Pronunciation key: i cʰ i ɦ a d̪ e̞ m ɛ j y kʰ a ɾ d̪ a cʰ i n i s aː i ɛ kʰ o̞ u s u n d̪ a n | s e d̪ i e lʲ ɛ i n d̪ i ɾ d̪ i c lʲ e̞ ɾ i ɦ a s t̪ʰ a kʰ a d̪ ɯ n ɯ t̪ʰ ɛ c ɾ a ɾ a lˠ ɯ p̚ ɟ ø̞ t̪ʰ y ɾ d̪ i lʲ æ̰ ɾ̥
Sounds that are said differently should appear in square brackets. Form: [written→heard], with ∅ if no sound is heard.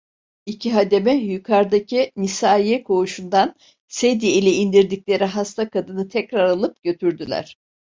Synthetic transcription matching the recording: i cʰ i ɦ a d̪ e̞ m ɛ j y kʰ a ɾ d̪ a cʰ i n i s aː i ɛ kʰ o̞ u [s→ʃ] u n d̪ a n | s e d̪ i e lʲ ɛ i n d̪ i ɾ d̪ i c lʲ e̞ ɾ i ɦ a s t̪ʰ a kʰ a d̪ ɯ n ɯ t̪ʰ ɛ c ɾ a ɾ a lˠ ɯ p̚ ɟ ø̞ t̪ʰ y ɾ d̪ [i→y] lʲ æ̰ ɾ̥